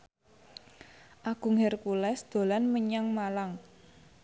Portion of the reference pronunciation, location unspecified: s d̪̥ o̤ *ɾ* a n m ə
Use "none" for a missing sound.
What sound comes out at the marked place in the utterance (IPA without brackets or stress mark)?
l